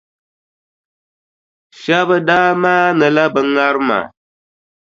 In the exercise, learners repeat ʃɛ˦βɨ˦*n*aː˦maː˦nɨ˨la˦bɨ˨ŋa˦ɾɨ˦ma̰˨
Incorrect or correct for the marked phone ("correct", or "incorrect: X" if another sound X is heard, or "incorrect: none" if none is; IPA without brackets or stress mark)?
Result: incorrect: d